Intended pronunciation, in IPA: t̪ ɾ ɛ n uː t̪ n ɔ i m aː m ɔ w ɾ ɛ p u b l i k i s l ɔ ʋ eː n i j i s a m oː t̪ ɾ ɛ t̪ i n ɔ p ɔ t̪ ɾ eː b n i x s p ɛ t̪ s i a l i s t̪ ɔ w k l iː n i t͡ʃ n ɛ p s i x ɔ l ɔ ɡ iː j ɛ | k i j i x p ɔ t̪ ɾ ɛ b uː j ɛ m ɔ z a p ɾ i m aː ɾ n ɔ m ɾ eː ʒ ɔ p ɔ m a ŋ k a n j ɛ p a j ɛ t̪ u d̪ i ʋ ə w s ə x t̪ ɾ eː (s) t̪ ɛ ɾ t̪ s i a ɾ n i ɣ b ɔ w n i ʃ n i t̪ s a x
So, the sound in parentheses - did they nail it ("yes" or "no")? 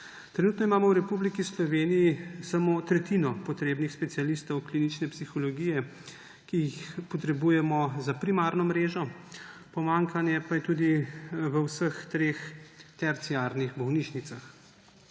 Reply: no